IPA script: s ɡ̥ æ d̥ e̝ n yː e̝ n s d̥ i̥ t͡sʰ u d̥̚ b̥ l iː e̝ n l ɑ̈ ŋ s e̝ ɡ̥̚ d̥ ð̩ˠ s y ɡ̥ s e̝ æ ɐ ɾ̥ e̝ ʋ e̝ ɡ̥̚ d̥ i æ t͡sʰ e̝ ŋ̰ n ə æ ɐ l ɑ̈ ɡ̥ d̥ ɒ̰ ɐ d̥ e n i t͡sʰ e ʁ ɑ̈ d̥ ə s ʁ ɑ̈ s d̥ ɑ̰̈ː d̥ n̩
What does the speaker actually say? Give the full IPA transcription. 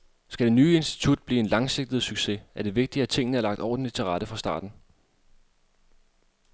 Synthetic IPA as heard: s ɡ̥ æ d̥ e̝ n yː e̝ n s d̥ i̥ t͡sʰ u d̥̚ b̥ l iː e̝ n l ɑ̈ ŋ s e̝ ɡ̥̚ d̥ ð̩ˠ s y ɡ̥ s e̝ æ ɐ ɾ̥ e̝ ʋ e̝ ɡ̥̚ d̥ i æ t͡sʰ e̝ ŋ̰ n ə æ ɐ l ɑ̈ ɡ̥ d̥ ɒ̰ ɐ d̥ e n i t͡sʰ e ʁ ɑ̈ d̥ ə f ʁ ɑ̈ s d̥ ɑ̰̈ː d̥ n̩